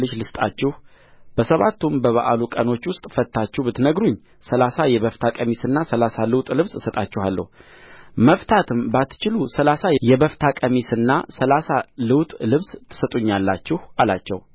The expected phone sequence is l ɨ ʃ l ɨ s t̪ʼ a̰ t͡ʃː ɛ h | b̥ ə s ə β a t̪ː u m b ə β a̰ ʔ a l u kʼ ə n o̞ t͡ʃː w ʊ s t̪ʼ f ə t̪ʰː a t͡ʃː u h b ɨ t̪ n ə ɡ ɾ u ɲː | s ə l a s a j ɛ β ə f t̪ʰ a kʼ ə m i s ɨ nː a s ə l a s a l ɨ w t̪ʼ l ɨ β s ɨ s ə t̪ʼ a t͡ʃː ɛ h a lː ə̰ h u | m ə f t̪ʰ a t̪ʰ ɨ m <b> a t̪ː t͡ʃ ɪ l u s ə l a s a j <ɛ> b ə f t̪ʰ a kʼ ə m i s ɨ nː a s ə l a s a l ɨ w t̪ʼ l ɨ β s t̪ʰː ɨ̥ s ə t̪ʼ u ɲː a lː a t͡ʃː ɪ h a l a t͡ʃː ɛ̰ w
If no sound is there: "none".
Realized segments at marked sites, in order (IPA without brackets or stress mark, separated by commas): b, ɛ